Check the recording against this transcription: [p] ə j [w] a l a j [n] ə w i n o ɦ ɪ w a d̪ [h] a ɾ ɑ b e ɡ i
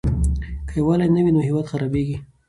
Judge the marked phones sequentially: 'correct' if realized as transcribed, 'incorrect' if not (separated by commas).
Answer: incorrect, correct, correct, incorrect